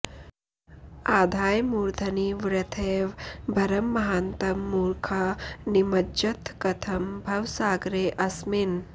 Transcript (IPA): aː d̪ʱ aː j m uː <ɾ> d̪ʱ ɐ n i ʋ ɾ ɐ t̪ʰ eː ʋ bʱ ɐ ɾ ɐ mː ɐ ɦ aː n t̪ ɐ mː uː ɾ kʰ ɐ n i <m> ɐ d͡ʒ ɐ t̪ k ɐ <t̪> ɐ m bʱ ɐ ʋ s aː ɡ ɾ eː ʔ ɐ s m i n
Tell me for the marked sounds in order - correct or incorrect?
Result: correct, correct, incorrect

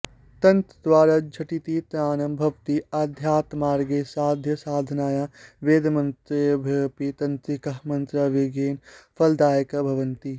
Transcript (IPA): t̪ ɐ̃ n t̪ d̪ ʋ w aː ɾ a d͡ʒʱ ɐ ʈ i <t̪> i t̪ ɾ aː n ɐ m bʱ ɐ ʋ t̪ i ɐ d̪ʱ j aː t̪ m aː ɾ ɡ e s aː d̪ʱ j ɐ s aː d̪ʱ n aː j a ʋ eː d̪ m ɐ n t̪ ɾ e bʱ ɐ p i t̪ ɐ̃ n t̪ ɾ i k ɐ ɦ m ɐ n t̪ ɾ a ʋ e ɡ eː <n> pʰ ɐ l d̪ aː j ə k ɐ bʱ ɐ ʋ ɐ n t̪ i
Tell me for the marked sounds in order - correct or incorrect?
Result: correct, correct

